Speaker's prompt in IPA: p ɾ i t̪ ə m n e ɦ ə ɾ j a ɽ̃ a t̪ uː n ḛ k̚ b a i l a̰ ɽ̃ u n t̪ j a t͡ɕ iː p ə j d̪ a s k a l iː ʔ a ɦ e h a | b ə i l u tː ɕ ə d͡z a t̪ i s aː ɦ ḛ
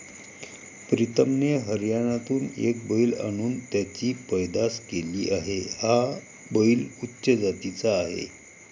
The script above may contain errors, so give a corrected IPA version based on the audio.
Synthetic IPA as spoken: p ɾ i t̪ ə m n e ɦ ə ɾ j a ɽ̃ a t̪ uː n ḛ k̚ b ə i l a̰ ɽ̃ uː n t̪ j a t͡ɕ iː p ə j d̪ a s k e l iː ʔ a ɦ e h a | b ə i l u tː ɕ ə d͡z a t̪ i t͡s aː ɦ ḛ